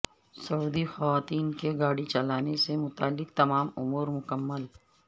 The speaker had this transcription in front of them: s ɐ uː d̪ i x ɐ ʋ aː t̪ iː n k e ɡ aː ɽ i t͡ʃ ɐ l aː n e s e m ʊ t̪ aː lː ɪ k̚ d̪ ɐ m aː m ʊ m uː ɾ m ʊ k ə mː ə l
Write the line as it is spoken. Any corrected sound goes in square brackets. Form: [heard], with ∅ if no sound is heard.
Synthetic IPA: s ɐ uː d̪ i x ɐ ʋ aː t̪ iː n k e ɡ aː ɽ i t͡ʃ ɐ l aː n e s e m ʊ t̪ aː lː ɪ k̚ [t̪] ɐ m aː m ʊ m uː ɾ m ʊ k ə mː ə l